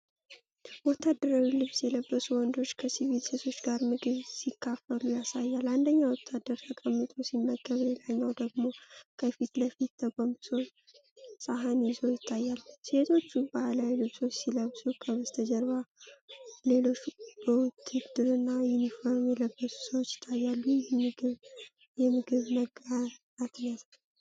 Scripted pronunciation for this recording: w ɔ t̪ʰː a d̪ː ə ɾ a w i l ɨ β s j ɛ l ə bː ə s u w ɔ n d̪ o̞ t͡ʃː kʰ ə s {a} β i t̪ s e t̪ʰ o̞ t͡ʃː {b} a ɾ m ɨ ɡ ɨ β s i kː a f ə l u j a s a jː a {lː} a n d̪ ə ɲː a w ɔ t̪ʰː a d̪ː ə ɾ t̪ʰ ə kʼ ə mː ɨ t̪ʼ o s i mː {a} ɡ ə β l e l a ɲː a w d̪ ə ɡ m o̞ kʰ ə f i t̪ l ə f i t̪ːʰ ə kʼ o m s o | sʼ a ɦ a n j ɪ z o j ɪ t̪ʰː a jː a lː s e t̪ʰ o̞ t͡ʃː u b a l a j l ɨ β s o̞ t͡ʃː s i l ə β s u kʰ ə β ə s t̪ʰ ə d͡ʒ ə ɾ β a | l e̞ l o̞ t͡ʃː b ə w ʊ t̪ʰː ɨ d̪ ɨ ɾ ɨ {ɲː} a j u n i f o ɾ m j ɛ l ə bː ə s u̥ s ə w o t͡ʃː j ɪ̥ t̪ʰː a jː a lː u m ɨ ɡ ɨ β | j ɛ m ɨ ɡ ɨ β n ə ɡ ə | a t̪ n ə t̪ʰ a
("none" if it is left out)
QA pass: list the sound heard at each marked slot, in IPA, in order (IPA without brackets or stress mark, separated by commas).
i, ɡ, l, ə, nː